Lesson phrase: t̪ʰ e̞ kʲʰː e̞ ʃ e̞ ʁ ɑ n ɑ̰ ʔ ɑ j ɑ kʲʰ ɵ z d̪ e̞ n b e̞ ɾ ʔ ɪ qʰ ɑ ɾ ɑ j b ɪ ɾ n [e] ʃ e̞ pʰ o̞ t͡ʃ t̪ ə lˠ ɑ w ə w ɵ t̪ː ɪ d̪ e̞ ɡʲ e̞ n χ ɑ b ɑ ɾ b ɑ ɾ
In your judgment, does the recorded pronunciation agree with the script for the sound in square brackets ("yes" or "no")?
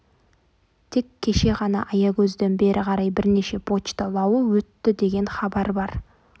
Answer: yes